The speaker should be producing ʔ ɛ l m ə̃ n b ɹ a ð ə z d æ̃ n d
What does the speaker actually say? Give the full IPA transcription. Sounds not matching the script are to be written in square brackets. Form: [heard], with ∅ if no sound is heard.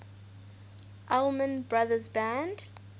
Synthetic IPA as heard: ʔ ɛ l m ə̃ n b ɹ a ð ə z [b] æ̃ n d

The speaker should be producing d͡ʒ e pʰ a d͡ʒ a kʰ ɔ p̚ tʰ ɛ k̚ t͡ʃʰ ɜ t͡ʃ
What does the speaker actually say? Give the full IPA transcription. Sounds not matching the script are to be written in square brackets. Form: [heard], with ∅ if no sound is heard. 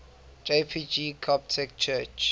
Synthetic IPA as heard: d͡ʒ e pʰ [i] d͡ʒ [i] kʰ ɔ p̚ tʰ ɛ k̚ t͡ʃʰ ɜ t͡ʃ

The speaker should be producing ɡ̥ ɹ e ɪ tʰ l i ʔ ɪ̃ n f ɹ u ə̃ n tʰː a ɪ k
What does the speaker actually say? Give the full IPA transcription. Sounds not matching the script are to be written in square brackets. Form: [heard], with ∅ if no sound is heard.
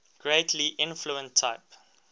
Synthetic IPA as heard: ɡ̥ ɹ e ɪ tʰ l i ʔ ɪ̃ n f [l] u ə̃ n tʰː a ɪ [p]

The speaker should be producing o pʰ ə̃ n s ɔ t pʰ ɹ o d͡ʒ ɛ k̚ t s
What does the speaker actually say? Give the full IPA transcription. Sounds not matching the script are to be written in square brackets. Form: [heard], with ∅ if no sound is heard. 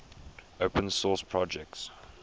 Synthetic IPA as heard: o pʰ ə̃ n s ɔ [s] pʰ ɹ [ɔ] d͡ʒ ɛ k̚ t s

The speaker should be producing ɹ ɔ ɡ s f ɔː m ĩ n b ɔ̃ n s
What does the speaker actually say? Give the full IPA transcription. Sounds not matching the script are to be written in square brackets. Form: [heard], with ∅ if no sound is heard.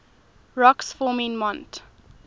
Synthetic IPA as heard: ɹ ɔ [k] s f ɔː m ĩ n [m] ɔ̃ n [t]

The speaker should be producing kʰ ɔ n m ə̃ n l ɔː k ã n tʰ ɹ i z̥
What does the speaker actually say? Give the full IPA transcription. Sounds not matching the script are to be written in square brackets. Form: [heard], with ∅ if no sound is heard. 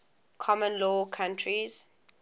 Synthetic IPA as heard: kʰ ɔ [∅] m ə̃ n l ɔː [kʰ] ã n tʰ ɹ i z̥

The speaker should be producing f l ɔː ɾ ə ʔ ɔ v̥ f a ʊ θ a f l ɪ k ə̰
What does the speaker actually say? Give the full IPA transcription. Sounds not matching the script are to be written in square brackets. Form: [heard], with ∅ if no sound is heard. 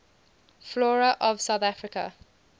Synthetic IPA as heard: f l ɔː [ɹ] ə ʔ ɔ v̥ [s] a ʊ θ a f [ɹ] ɪ k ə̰

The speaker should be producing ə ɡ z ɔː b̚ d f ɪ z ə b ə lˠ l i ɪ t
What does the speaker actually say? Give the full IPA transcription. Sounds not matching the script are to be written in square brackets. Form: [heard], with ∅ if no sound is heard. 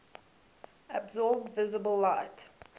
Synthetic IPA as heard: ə [b] z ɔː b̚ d [v] ɪ z ə b ə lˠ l [a] ɪ t

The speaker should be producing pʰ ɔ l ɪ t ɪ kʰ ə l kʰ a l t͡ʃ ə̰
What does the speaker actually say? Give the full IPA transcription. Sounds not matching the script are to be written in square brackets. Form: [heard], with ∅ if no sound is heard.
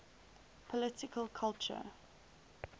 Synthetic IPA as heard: pʰ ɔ l ɪ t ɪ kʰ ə l kʰ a l t͡ʃ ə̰

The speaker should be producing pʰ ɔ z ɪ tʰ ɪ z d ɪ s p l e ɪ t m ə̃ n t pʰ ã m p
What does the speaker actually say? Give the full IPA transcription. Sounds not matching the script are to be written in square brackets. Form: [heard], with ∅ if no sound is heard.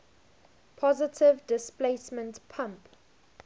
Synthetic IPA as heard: pʰ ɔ z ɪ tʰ ɪ [v] d ɪ s p l e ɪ [s] m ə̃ n t pʰ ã m p

